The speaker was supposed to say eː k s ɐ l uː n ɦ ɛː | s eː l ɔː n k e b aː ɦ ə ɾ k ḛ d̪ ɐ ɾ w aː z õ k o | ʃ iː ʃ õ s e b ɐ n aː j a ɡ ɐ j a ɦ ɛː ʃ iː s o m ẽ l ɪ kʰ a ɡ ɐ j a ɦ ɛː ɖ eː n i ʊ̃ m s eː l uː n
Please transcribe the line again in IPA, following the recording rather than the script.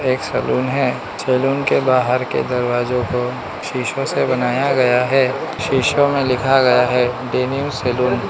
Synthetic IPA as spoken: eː k s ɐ l uː n ɦ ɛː | s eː l uː n k e b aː ɦ ə ɾ k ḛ d̪ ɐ ɾ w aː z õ k o | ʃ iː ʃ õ s e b ɐ n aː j a ɡ ɐ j a ɦ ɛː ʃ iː ʃ o m ẽ l ɪ kʰ a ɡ ɐ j a ɦ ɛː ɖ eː n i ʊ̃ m s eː l uː n